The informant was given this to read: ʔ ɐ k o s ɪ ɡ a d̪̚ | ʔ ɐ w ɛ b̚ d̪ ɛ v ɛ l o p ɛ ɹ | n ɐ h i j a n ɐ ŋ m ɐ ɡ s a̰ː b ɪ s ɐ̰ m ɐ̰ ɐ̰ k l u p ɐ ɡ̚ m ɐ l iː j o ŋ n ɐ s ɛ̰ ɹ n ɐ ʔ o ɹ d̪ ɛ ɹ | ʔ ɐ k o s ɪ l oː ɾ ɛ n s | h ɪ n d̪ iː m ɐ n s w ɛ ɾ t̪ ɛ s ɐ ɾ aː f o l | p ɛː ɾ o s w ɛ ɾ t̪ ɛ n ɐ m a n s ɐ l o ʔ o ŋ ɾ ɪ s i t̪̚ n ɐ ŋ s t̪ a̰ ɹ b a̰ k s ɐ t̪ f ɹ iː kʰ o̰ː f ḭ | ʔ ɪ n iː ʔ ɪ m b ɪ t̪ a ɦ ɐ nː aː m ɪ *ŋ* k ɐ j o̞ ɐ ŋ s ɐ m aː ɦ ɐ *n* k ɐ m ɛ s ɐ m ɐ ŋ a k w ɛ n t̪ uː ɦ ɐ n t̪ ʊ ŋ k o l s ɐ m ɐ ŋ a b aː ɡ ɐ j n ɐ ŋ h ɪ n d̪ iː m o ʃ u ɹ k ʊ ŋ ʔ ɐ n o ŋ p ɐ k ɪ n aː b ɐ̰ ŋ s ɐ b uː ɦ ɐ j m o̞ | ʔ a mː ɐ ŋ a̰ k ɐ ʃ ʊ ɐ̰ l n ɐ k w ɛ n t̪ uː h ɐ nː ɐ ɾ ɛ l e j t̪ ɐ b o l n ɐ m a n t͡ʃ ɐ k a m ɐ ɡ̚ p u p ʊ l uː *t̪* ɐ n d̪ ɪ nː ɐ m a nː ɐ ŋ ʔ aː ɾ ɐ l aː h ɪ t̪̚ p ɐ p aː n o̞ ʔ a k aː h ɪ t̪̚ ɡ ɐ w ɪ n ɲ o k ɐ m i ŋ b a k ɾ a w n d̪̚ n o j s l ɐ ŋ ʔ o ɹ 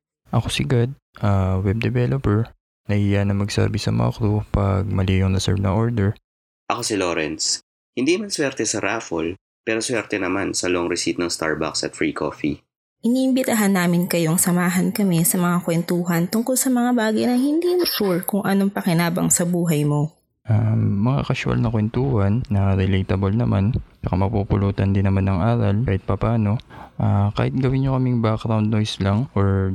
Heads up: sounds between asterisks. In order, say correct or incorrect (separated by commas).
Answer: incorrect, correct, correct